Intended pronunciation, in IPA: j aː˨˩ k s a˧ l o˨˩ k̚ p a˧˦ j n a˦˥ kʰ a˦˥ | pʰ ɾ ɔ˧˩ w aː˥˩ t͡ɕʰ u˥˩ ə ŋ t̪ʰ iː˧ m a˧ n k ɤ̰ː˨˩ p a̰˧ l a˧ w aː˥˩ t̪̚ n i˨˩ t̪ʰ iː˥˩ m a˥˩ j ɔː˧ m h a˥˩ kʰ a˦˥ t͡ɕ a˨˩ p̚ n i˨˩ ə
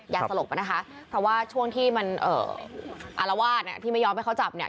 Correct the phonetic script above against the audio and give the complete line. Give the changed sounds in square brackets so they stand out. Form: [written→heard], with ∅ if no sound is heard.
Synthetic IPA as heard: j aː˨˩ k s a˧ l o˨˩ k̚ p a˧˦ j n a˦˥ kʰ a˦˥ | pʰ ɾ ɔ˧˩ w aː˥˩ t͡ɕʰ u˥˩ ə ŋ t̪ʰ [iː˧→iː˥˩] m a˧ n [k→ʔ] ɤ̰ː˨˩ [p→ʔ] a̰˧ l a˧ w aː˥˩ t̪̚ n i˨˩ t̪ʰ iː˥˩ m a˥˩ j ɔː˧ m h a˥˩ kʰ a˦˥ t͡ɕ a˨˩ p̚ n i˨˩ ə